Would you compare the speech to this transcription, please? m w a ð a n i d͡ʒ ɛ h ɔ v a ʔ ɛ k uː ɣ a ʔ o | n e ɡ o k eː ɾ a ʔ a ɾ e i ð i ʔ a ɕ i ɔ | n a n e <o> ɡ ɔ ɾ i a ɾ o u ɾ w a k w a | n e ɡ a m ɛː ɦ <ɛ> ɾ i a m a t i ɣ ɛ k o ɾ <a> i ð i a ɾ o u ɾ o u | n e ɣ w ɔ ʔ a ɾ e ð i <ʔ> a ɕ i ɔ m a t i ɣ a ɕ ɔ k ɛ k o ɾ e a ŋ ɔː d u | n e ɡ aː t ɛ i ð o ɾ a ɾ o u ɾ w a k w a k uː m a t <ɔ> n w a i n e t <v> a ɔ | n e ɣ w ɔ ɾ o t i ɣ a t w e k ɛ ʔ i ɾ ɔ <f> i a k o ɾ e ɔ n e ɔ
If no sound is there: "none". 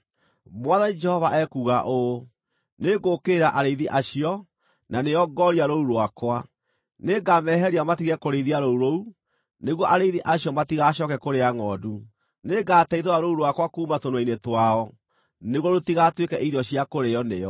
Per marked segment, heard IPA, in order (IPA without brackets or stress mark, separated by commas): ɔ, ɛ, e, ʔ, o, w, ɕ